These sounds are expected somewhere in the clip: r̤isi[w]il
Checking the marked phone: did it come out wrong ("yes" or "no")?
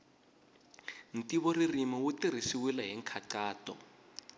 no